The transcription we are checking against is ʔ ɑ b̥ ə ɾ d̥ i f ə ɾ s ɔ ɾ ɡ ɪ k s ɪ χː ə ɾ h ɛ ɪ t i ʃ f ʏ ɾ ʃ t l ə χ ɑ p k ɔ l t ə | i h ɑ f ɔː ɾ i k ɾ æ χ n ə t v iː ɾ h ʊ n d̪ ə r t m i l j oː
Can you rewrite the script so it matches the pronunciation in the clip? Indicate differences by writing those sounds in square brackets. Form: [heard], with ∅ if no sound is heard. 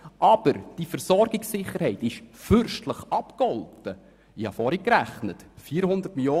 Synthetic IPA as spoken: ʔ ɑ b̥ ə ɾ d̥ i f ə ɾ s ɔ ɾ ɡ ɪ k s ɪ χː ə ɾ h ɛ ɪ t [ɪ] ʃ f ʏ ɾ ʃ t l ə χ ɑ p k ɔ l t ə | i h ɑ f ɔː ɾ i k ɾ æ χ n ə t [f] iː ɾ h ʊ n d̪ ə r t m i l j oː